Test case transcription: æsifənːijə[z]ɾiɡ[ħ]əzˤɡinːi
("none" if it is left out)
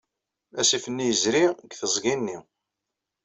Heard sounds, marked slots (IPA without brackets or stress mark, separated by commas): z, θ